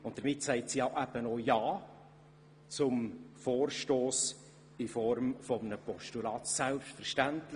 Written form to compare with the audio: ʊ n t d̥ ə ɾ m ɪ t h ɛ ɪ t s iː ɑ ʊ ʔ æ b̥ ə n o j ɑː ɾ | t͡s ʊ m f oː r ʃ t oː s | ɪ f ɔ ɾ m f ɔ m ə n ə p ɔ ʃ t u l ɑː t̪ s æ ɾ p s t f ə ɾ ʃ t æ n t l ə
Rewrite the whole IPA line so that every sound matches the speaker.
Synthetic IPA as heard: ʊ n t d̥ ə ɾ m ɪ t s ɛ ɪ t s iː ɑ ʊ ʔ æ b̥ ə n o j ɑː | t͡s ʊ m f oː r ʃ t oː s | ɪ f ɔ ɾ m f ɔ m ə n ə p ɔ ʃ t u l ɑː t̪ s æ l p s t f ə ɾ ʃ t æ n t l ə